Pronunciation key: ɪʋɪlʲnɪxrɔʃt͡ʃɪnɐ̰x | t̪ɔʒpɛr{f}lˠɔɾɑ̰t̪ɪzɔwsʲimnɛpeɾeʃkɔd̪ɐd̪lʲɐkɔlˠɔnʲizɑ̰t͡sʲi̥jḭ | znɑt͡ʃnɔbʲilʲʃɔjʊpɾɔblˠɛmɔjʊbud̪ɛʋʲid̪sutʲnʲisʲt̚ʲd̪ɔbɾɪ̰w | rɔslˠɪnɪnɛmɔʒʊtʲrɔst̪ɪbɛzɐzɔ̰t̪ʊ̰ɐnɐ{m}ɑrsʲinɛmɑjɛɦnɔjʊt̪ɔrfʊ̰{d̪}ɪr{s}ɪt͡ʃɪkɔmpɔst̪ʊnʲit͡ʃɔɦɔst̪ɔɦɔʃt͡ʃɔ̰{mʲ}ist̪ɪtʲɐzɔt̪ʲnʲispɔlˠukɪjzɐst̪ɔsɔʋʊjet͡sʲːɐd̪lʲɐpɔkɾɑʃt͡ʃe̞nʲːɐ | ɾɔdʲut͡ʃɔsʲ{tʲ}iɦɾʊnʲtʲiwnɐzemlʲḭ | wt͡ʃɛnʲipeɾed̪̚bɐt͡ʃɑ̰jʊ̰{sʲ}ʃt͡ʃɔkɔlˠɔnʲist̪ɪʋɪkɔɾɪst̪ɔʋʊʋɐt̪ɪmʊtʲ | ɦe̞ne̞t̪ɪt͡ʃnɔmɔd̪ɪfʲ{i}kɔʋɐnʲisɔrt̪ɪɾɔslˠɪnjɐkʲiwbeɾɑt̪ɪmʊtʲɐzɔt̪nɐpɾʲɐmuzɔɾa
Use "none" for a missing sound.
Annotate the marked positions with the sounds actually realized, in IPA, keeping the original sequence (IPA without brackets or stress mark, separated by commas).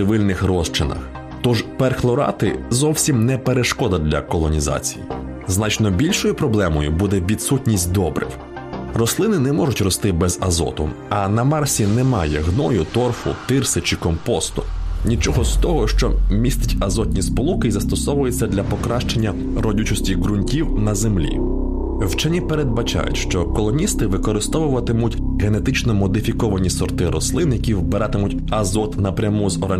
x, m, t̪, s, mʲ, tʲ, tʲ, i